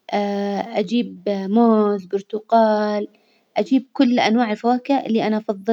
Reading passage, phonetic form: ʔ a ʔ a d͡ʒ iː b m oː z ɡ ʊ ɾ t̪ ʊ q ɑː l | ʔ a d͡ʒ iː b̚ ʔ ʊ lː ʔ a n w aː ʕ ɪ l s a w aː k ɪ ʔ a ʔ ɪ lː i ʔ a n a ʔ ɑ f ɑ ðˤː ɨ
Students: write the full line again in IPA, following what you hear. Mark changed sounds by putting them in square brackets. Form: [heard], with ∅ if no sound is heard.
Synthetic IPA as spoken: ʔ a ʔ a d͡ʒ iː b m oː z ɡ ʊ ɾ t̪ ʊ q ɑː l | ʔ a d͡ʒ iː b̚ [k] ʊ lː ʔ a n w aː ʕ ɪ l [f] a w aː k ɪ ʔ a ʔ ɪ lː i ʔ a n a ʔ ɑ f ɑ ðˤː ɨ